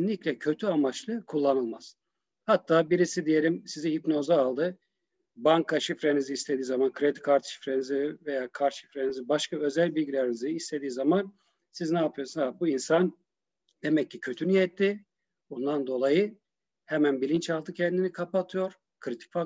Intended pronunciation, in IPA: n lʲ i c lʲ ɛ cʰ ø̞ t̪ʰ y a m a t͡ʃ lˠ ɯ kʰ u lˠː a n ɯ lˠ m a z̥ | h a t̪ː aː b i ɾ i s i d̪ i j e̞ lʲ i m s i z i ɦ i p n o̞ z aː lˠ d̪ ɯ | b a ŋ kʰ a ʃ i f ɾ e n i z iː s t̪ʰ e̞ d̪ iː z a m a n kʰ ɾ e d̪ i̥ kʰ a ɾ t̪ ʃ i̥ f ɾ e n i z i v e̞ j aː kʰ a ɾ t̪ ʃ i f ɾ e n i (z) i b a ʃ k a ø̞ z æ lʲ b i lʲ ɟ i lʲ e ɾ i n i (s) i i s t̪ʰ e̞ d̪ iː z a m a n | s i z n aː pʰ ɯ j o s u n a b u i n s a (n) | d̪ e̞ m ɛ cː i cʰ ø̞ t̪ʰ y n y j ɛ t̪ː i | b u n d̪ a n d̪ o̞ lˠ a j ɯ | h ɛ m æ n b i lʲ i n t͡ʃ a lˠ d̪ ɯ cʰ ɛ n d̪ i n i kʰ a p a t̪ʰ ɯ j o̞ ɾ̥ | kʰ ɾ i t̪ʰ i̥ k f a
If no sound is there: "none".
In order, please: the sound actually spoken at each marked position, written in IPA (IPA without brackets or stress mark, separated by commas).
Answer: z, z, n